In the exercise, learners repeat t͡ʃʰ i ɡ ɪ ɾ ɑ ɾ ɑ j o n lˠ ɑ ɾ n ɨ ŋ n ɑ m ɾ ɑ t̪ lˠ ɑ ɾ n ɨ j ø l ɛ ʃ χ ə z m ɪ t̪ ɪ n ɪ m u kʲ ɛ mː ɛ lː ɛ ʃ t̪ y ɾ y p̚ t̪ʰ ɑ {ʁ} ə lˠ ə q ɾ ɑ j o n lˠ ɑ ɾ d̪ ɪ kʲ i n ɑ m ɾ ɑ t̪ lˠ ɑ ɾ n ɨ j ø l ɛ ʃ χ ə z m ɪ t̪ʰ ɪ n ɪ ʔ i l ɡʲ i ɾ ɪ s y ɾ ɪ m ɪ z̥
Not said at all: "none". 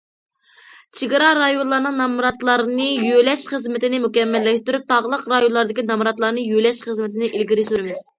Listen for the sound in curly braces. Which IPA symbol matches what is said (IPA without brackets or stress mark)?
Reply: ʁ